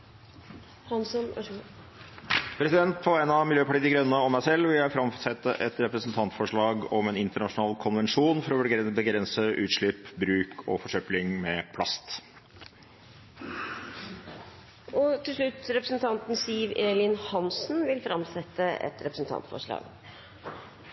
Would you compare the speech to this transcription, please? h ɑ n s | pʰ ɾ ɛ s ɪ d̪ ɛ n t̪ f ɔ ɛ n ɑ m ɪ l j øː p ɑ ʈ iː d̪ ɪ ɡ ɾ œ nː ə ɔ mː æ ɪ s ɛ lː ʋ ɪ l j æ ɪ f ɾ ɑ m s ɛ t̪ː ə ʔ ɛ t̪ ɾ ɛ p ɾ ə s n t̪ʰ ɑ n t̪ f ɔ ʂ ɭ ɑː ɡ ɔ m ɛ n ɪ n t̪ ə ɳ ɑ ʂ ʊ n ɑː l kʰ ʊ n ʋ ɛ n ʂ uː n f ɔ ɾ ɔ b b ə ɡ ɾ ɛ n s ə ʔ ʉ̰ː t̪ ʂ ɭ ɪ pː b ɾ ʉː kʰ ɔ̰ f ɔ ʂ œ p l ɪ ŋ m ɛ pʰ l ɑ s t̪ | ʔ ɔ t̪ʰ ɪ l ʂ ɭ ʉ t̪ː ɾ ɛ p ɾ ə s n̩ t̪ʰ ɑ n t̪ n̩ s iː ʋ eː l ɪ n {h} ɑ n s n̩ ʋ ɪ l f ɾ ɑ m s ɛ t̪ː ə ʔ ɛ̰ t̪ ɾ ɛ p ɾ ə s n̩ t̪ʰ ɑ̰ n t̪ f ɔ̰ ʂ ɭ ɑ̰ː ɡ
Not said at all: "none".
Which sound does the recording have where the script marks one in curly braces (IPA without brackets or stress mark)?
h